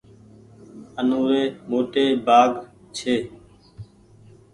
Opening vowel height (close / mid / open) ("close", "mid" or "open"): mid